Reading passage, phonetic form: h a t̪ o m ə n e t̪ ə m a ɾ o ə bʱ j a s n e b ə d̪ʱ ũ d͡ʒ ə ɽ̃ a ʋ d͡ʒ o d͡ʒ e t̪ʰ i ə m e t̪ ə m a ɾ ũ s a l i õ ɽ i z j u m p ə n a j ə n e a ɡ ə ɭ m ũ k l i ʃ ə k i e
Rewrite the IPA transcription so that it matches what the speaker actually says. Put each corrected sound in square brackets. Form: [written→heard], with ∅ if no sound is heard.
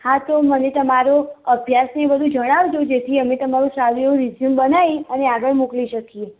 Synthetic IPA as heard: h a t̪ o m ə n e t̪ ə m a ɾ o ə bʱ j a s n e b ə d̪ʱ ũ d͡ʒ ə ɽ̃ a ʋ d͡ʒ o d͡ʒ e t̪ʰ i ə m e t̪ ə m a ɾ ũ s a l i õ [ɽ→ɾ] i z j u m [p→b] ə n a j ə n e a ɡ ə ɭ m [ũ→u] k l i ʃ ə k i e